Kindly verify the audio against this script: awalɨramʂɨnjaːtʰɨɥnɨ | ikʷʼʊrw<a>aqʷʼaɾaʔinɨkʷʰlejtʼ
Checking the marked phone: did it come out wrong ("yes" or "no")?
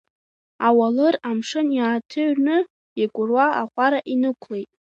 no